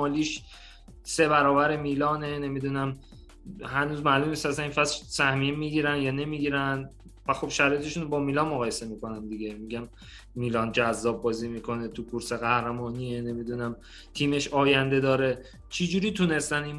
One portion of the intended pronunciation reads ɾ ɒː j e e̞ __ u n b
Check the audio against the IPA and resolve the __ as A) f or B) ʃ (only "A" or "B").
B